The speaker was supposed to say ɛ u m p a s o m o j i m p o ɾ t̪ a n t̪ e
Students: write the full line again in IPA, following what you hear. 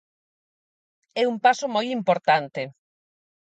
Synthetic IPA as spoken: ɛ u m p a s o m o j i m p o ɾ t̪ a n t̪ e